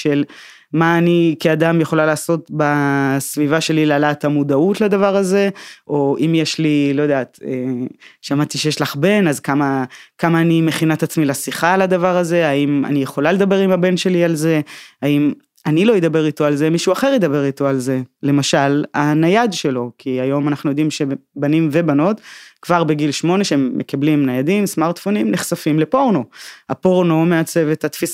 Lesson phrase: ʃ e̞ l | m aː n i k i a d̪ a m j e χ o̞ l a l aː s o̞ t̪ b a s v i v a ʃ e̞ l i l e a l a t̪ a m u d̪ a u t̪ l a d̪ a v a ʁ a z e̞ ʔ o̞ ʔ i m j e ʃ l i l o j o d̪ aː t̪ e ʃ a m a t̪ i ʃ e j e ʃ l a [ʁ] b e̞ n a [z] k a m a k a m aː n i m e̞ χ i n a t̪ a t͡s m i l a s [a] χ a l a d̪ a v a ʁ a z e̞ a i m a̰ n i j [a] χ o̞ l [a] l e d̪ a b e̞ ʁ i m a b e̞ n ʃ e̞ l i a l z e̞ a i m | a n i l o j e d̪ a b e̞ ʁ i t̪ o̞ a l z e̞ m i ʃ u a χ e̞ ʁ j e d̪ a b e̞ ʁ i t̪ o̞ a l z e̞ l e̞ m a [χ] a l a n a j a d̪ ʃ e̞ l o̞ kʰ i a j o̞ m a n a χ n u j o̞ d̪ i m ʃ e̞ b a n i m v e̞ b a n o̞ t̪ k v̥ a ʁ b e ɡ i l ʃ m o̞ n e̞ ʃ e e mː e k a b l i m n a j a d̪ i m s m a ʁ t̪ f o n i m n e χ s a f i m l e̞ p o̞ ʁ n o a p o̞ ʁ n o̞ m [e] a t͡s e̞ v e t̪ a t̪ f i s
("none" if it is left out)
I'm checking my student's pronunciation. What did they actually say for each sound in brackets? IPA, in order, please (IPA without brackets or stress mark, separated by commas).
χ, z, i, e, a, ʃ, e